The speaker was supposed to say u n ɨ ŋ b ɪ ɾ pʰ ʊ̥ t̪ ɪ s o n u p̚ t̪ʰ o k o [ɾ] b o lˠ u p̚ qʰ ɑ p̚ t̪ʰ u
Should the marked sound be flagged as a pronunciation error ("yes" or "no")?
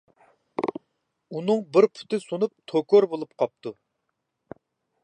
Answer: no